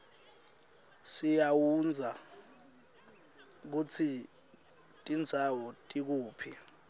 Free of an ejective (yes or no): no